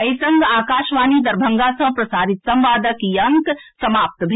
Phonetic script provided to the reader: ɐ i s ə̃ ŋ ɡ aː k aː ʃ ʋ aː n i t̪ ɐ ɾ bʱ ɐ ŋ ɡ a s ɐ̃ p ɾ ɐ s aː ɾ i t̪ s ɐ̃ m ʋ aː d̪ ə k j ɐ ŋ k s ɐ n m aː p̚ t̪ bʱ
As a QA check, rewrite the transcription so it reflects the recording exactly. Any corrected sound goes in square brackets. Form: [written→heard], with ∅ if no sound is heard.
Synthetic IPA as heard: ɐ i s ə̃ ŋ ɡ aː k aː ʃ ʋ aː n i [t̪→d̪] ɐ ɾ bʱ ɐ ŋ ɡ a s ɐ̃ p ɾ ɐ s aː ɾ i t̪ s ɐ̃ m ʋ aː d̪ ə k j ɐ ŋ k s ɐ [n→∅] m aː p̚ t̪ bʱ